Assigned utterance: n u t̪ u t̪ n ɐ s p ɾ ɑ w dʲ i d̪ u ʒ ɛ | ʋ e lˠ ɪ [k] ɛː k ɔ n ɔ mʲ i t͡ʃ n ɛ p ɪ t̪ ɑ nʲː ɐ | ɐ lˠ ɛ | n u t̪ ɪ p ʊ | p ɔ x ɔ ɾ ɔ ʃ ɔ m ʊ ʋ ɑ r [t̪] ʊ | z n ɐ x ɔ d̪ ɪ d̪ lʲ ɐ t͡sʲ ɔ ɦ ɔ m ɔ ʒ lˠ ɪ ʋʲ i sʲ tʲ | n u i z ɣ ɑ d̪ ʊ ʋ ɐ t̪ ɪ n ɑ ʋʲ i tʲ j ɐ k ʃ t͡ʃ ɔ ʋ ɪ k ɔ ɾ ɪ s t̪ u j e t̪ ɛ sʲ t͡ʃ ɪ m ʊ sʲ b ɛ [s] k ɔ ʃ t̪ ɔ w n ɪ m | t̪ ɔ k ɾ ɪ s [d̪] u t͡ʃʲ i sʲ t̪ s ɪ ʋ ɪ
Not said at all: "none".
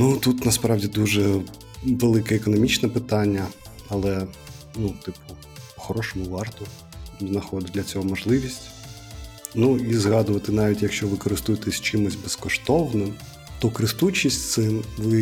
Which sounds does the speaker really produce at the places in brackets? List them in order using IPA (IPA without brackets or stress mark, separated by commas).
k, t̪, s, t̪